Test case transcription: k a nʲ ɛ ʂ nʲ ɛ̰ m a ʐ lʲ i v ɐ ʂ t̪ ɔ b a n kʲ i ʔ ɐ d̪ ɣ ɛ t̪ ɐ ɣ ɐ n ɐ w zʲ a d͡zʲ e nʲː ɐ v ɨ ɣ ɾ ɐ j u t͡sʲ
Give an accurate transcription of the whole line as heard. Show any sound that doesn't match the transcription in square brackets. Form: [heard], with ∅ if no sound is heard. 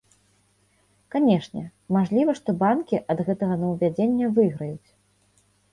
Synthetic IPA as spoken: k a nʲ ɛ ʂ nʲ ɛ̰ m a ʐ lʲ i v ɐ ʂ t̪ ɔ b a n kʲ i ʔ ɐ d̪ ɣ ɛ t̪ ɐ ɣ ɐ n ɐ w [vʲ] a d͡zʲ e nʲː ɐ v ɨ ɣ ɾ ɐ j u t͡sʲ

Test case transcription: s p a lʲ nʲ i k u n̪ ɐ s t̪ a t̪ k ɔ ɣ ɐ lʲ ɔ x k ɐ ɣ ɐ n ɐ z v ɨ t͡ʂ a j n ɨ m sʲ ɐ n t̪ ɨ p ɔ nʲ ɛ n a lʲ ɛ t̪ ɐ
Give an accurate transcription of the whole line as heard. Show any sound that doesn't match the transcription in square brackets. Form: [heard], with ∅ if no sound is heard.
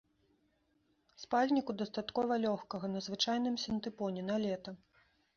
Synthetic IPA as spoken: s p a lʲ nʲ i k u [d̪] ɐ s t̪ a t̪ k ɔ [v] ɐ lʲ ɔ x k ɐ ɣ ɐ n ɐ z v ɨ t͡ʂ a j n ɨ m sʲ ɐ n t̪ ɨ p ɔ nʲ ɛ n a lʲ ɛ t̪ ɐ

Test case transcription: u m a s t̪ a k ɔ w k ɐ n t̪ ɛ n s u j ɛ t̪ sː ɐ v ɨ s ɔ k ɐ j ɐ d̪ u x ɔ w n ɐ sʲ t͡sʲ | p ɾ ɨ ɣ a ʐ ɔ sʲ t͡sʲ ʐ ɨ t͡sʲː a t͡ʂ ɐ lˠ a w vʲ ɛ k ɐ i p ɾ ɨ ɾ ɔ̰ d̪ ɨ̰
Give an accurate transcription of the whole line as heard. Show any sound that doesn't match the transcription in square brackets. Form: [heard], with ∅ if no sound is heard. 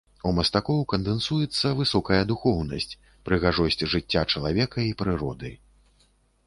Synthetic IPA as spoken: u m [ɐ] s t̪ a k ɔ w k ɐ n [d̪] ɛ n s u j ɛ t̪ sː ɐ v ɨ s ɔ k ɐ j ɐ d̪ u x ɔ w n ɐ sʲ t͡sʲ | p ɾ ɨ ɣ a ʐ ɔ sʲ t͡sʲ ʐ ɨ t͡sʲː a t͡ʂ ɐ lˠ a [∅] vʲ ɛ k ɐ i p ɾ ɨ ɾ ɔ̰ d̪ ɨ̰

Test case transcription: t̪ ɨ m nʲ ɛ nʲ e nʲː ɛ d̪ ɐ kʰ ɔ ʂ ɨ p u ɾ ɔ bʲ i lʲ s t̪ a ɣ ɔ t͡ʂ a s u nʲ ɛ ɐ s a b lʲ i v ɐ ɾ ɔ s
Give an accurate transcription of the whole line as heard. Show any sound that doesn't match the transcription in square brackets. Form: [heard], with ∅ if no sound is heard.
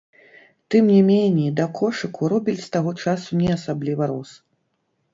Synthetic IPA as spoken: t̪ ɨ m nʲ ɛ [mʲ] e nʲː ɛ d̪ ɐ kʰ ɔ ʂ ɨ [k] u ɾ ɔ bʲ i lʲ s t̪ a ɣ ɔ t͡ʂ a s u nʲ ɛ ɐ s a b lʲ i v ɐ ɾ ɔ s

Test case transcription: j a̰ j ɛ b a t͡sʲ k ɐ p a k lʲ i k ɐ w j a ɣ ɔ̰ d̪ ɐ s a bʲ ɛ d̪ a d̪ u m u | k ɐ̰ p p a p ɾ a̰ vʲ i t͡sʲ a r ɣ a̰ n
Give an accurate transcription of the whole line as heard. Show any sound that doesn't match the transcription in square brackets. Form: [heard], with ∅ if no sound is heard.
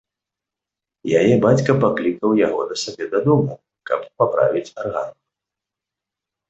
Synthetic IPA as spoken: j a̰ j ɛ b a t͡sʲ k ɐ p a k lʲ i k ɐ w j a ɣ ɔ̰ d̪ ɐ s a bʲ ɛ d̪ a d̪ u m u | k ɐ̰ p p a p ɾ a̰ vʲ i t͡sʲ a r ɣ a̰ n

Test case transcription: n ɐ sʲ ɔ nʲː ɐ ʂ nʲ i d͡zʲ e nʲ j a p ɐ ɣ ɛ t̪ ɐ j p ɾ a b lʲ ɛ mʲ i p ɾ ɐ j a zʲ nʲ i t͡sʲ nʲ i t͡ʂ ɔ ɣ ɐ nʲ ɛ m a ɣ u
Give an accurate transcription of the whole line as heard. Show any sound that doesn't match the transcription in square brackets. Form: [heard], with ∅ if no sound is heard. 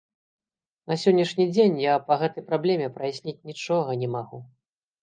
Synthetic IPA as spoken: n ɐ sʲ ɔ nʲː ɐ ʂ nʲ i d͡zʲ e nʲ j a p ɐ ɣ ɛ t̪ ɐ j p ɾ a b lʲ ɛ mʲ [ɛ] p ɾ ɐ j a [sʲ] nʲ i t͡sʲ nʲ i t͡ʂ ɔ ɣ ɐ nʲ ɛ m a ɣ u

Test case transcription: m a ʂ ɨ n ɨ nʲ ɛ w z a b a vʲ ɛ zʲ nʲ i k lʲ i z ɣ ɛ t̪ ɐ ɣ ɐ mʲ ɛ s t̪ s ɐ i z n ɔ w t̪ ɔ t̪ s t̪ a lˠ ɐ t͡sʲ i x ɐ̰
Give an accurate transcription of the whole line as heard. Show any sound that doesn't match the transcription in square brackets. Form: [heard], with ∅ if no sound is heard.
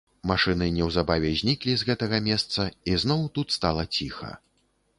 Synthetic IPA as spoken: m a ʂ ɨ n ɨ nʲ ɛ w z a b a vʲ ɛ zʲ nʲ i k lʲ i z ɣ ɛ t̪ ɐ ɣ ɐ mʲ ɛ s t̪ s ɐ i z n ɔ w t̪ [u] t̪ s t̪ a lˠ ɐ t͡sʲ i x ɐ̰

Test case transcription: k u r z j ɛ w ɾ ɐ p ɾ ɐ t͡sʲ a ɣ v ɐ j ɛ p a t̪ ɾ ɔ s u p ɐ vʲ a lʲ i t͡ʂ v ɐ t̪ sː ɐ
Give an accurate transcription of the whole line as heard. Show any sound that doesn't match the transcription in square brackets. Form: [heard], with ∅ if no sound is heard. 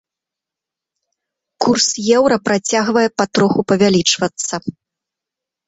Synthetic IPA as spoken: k u r [s] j ɛ w ɾ ɐ p ɾ [a] t͡sʲ a ɣ v ɐ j ɛ p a t̪ ɾ ɔ [x] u p ɐ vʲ a lʲ i t͡ʂ v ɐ t̪ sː ɐ

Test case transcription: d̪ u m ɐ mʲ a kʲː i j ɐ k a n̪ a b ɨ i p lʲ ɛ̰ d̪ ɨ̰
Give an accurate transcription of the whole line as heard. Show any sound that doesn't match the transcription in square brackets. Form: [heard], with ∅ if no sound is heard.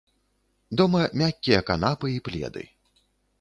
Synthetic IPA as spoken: d̪ [ɔ] m ɐ mʲ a kʲː i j ɐ k a n̪ a [p] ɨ i p lʲ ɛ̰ d̪ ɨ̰

